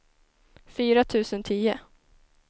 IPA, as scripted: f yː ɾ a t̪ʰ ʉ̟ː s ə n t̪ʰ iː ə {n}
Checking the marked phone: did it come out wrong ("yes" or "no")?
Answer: yes